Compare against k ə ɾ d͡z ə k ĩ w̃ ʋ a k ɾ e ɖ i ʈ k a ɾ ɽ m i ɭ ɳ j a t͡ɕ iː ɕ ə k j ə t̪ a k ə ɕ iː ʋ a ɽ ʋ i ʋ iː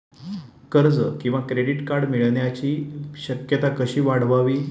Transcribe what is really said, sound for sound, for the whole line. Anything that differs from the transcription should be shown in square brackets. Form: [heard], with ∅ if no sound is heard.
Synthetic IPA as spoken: k ə ɾ d͡z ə k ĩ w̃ ʋ a k ɾ e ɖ i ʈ k a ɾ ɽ m i ɭ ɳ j a t͡ɕ iː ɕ ə k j ə t̪ a k ə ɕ iː ʋ a ɽ ʋ [a] ʋ iː